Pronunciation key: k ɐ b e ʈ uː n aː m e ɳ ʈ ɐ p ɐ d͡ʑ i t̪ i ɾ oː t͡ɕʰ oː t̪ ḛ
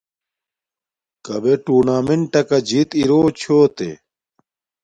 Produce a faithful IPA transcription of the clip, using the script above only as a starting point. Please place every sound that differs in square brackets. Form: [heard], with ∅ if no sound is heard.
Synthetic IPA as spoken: k ɐ b e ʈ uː n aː m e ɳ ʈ ɐ [k] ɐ d͡ʑ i t̪ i ɾ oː t͡ɕʰ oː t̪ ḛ

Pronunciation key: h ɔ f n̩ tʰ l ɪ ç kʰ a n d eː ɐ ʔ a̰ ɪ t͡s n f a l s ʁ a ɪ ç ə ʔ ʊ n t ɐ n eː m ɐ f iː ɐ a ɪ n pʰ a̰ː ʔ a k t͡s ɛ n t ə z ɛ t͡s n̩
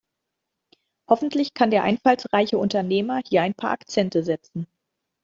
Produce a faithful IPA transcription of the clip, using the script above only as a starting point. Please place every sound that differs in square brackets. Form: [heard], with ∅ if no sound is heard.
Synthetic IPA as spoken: h ɔ f n̩ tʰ l ɪ ç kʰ a n d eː ɐ ʔ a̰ ɪ [∅] n f a l s ʁ a ɪ ç ə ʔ ʊ n t ɐ n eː m ɐ [h] iː ɐ a ɪ n pʰ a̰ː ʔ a k t͡s ɛ n t ə z ɛ t͡s n̩

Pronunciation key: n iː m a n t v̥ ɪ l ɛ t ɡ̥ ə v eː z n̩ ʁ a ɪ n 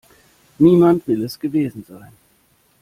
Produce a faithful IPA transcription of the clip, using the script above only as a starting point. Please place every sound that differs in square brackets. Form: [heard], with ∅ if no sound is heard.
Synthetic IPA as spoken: n iː m a n t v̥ ɪ l ɛ [s] ɡ̥ ə v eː z n̩ [z] a ɪ n

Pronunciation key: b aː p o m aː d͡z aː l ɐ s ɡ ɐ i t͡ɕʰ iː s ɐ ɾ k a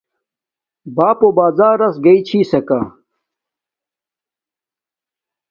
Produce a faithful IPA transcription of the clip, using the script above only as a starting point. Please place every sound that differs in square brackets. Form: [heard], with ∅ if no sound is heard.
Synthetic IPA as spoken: b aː p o [b] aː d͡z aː [ɾ] ɐ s ɡ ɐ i t͡ɕʰ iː s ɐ [∅] k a

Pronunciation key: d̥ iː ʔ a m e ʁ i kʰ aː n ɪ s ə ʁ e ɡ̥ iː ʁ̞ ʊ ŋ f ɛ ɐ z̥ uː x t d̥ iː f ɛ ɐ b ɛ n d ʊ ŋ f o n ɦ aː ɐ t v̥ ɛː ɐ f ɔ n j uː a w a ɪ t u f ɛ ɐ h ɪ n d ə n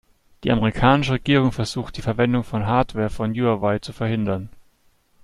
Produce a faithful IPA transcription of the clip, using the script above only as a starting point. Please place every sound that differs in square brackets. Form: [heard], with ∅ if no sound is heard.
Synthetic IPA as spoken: d̥ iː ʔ a m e ʁ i kʰ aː n ɪ [ʃ] ə ʁ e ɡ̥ iː ʁ̞ ʊ ŋ f ɛ ɐ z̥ uː x t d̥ iː f ɛ ɐ [v] ɛ n d ʊ ŋ f [ɔ] n ɦ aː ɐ t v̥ ɛː ɐ f ɔ n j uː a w a ɪ [t͡s] u f ɛ ɐ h ɪ n d [ɐ] n

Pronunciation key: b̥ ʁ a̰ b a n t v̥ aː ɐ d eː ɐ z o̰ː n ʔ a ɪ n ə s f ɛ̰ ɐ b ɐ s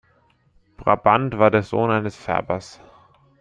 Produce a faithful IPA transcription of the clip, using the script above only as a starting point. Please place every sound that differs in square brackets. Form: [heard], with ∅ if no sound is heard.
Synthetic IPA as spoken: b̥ ʁ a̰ b a n t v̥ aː ɐ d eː ɐ z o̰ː n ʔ a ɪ n ə s f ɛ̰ ɐ b ɐ s

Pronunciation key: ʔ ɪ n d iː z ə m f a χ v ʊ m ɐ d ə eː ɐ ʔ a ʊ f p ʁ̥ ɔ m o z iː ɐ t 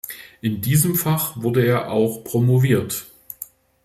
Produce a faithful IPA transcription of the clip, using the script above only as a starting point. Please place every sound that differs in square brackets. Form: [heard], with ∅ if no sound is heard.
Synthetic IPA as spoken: ʔ ɪ n d iː z ə m f a χ v ʊ [∅] ɐ d ə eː ɐ ʔ a ʊ [x] p ʁ̥ [o] m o [v] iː ɐ t

